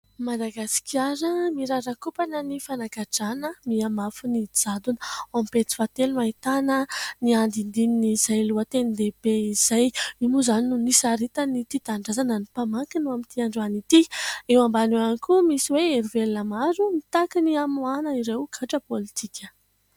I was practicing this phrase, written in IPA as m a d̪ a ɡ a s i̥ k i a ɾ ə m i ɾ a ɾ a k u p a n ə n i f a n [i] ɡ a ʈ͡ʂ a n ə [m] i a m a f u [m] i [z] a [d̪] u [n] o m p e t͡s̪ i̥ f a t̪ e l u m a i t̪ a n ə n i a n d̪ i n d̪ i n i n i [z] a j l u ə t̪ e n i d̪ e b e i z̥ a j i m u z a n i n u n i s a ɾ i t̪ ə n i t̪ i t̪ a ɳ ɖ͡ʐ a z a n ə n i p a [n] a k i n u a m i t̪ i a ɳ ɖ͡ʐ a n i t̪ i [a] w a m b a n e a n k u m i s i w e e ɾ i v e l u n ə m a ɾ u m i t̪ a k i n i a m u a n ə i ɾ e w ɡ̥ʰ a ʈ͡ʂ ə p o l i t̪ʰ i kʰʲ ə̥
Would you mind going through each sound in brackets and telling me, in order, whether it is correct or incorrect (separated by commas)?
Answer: incorrect, correct, incorrect, incorrect, correct, correct, correct, incorrect, incorrect